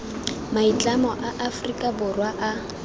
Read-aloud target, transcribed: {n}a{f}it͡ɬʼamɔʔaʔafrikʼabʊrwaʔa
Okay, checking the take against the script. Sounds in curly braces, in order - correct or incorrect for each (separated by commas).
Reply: incorrect, incorrect